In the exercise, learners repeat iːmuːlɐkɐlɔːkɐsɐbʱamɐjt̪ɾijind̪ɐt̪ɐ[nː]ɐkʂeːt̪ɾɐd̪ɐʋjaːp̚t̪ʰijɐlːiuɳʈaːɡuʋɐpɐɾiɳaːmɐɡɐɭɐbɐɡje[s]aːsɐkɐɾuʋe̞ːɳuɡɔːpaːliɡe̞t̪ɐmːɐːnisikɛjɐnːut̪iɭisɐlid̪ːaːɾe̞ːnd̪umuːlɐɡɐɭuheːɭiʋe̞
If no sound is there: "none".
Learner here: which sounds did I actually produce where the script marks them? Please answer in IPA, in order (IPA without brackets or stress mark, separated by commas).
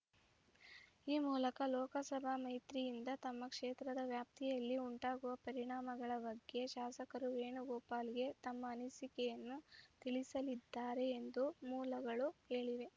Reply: mː, ʃ